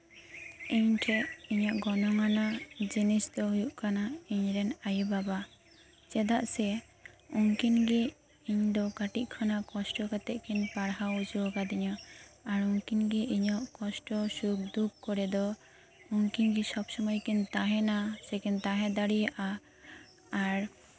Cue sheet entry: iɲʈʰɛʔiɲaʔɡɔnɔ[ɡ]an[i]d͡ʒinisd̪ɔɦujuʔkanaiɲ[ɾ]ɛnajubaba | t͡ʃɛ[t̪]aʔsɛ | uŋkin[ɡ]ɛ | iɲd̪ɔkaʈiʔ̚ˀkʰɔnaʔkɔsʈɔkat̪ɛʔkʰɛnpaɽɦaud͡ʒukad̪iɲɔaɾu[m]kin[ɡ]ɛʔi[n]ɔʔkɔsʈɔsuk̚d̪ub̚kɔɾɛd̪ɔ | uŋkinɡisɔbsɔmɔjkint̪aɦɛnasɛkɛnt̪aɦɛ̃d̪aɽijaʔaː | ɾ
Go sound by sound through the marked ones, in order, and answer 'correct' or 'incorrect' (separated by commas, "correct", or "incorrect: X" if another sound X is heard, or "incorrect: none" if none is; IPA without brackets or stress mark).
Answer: incorrect: ŋ, incorrect: a, correct, incorrect: d̪, correct, incorrect: ŋ, correct, incorrect: ɲ